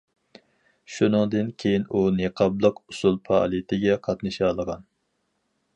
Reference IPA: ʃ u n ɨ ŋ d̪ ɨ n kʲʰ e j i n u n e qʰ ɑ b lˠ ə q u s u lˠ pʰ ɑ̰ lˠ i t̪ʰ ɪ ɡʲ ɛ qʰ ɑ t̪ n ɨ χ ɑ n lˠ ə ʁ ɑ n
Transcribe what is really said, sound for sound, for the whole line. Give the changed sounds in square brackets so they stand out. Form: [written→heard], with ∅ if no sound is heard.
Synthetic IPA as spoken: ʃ u n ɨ ŋ d̪ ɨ n kʲʰ e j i n u n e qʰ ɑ b lˠ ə q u s u lˠ pʰ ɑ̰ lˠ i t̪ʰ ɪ ɡʲ ɛ qʰ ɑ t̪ n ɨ [χ→ʃ] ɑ [n→∅] lˠ ə ʁ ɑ n